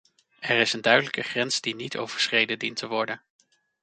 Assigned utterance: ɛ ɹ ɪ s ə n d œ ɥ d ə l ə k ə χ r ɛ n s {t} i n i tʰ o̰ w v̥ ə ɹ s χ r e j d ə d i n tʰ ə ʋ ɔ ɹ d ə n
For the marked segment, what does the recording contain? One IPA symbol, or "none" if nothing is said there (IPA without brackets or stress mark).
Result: d